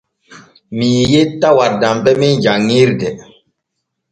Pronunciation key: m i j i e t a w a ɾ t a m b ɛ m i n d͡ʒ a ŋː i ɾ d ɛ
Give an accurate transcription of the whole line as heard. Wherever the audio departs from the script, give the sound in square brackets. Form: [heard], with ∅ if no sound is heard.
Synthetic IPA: m i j [j] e t a w a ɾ [d] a m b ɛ m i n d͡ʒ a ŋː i ɾ d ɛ